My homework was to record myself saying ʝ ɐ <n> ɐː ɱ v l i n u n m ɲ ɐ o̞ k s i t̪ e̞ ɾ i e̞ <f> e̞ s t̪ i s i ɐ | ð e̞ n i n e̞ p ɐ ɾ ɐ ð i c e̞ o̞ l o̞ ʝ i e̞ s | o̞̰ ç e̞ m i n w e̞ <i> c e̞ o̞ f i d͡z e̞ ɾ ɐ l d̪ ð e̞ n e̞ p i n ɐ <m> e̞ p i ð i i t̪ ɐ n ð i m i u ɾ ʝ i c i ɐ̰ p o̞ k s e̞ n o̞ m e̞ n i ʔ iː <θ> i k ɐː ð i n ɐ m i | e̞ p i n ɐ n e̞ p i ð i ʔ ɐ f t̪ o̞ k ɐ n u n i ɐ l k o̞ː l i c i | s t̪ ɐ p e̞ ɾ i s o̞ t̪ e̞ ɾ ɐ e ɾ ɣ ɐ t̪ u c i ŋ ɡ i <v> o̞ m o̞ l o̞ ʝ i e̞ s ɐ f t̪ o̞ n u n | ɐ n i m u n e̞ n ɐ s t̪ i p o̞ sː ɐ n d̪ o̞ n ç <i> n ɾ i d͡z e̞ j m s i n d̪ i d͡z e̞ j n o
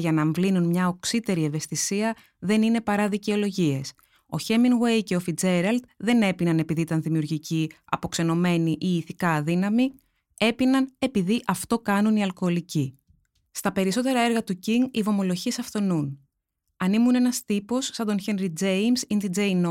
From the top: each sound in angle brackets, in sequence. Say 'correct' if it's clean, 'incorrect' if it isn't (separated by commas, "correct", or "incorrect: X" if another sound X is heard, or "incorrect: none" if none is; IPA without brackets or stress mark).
correct, incorrect: v, incorrect: j, incorrect: n, correct, correct, incorrect: e